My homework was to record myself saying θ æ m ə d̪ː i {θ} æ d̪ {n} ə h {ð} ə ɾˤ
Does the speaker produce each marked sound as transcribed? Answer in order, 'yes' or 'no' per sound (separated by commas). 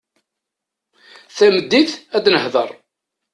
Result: yes, yes, yes